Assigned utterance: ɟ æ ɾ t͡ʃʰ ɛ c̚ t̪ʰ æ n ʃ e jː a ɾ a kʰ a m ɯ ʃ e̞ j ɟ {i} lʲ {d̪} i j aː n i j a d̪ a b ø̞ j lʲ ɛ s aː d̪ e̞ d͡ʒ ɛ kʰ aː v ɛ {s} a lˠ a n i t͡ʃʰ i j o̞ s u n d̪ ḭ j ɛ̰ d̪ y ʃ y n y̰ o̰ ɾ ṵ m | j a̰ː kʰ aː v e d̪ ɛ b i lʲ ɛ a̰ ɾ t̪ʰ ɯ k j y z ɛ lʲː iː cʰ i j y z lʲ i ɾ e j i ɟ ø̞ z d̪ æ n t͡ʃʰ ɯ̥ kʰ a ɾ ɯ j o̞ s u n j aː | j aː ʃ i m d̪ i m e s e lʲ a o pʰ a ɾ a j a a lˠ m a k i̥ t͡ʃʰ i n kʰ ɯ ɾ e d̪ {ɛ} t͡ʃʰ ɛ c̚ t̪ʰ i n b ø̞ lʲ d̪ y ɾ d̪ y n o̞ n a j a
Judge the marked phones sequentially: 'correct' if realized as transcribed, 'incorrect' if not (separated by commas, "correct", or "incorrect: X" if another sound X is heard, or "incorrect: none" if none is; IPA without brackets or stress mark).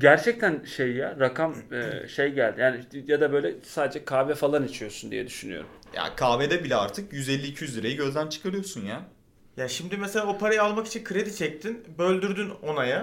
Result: incorrect: æ, correct, incorrect: f, incorrect: i